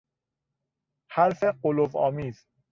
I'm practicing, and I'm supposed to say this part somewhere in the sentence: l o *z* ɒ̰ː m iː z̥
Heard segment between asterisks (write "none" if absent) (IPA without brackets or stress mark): v